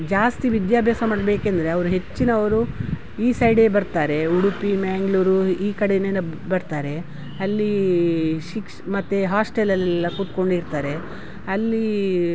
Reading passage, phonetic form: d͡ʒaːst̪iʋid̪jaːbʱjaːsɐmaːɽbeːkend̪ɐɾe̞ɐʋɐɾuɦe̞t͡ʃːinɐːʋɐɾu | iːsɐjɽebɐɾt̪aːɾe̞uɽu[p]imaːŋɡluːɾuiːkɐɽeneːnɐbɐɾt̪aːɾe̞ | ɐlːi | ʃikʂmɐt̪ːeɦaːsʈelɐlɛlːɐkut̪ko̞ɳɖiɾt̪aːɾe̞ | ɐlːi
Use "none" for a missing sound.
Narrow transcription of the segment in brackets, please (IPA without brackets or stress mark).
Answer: p